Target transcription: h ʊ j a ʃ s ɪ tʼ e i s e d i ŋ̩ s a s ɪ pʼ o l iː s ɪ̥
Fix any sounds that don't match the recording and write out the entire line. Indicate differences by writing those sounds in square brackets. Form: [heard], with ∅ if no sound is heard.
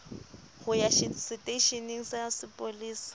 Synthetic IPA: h ʊ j a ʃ s ɪ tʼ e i [ʃ] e [n] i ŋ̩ s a s ɪ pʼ o l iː s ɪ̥